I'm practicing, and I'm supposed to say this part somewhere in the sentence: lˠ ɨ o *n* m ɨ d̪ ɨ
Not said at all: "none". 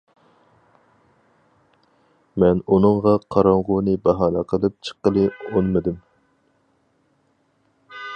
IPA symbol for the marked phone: n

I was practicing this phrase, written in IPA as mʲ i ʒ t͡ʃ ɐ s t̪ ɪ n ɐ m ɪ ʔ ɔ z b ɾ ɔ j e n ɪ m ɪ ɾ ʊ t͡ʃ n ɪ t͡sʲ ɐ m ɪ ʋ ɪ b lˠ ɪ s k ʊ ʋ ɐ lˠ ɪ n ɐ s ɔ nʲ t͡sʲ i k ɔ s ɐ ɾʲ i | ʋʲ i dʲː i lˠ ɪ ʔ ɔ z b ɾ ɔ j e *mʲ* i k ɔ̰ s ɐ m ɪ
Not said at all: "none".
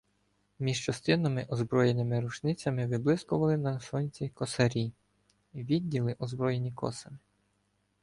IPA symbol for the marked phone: nʲ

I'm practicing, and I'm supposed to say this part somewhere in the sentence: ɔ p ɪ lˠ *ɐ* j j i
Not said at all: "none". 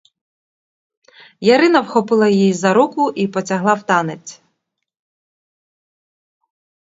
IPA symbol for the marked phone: ɐ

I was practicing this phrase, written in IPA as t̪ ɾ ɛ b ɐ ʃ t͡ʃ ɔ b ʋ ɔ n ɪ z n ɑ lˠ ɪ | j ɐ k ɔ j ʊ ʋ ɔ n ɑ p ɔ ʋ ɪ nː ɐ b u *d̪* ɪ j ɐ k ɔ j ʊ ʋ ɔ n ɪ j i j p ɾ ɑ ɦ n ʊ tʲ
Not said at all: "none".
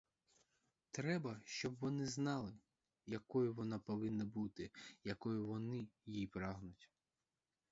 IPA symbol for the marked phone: t̪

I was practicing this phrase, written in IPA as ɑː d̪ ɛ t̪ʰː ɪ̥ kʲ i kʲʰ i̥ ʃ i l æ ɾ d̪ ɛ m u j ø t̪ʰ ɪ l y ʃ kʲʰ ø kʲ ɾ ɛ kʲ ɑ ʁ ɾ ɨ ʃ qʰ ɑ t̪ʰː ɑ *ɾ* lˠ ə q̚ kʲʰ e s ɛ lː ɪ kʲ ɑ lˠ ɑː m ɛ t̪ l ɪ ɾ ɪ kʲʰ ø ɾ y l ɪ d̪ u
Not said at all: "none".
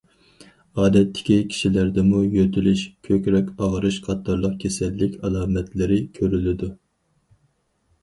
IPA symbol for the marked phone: ɾ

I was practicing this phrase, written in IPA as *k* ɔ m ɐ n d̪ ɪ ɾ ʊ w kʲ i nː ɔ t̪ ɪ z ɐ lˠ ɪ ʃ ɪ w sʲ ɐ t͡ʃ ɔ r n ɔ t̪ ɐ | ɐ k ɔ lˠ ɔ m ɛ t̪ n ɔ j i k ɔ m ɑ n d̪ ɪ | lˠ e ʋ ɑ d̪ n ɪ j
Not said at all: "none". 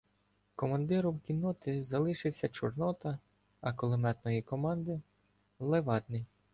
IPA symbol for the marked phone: k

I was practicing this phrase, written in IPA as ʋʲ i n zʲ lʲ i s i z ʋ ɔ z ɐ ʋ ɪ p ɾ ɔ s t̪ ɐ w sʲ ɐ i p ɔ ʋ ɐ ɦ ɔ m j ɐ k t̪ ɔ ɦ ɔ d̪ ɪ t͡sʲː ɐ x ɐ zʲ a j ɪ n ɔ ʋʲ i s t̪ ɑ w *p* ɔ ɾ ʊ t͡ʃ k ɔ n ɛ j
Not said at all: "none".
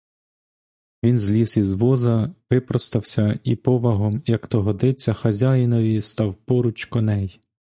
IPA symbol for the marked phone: p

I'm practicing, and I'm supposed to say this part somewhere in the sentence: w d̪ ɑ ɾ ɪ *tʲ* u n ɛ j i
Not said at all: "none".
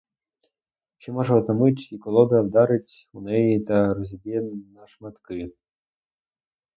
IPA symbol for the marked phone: tʲ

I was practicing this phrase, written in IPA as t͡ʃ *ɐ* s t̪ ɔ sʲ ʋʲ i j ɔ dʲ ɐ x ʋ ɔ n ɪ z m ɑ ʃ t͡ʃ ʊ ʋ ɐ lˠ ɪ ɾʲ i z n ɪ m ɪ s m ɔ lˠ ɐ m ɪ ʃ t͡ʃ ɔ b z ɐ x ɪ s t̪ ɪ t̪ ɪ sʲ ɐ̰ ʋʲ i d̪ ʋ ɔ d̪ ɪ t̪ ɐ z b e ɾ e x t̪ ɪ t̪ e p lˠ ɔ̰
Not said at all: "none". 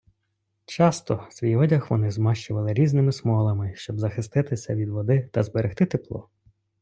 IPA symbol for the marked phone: ɑ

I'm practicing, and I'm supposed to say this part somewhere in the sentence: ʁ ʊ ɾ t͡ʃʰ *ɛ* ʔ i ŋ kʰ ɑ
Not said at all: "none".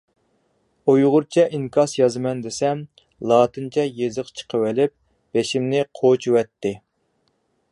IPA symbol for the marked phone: ɛ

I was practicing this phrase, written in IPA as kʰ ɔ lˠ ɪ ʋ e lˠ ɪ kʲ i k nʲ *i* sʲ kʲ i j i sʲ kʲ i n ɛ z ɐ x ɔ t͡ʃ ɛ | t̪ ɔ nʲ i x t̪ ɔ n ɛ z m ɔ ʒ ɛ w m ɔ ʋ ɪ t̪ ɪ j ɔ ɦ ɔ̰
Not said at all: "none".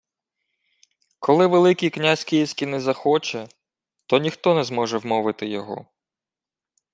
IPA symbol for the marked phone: a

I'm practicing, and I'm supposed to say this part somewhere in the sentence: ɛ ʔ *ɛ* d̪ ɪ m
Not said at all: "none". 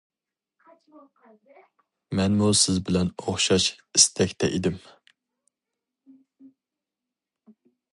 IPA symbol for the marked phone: i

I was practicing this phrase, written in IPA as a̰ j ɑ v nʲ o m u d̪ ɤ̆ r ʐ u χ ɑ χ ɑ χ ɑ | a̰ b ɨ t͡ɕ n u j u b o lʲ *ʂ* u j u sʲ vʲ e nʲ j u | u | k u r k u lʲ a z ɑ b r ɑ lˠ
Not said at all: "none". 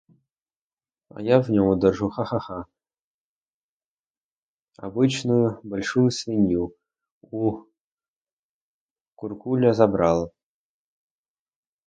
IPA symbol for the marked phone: ʂ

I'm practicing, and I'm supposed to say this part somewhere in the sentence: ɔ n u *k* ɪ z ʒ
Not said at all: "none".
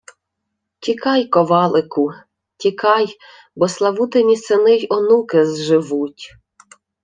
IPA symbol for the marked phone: k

